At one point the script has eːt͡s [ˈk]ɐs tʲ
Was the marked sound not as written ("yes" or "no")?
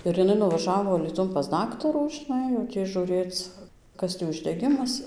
no